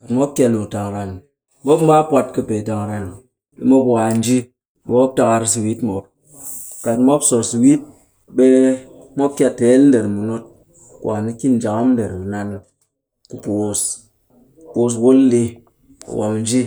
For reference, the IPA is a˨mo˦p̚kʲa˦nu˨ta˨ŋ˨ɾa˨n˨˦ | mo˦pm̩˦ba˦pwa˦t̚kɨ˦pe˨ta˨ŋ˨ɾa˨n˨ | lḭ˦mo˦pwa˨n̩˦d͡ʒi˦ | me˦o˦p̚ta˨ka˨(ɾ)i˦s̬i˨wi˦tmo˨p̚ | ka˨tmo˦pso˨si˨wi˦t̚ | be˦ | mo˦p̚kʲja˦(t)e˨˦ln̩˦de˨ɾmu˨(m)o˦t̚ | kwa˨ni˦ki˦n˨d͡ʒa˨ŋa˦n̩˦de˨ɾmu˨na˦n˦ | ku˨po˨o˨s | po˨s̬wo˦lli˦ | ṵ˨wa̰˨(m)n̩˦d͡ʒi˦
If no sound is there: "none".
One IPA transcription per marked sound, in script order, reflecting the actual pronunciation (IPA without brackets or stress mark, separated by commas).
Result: ɾ, t, n, m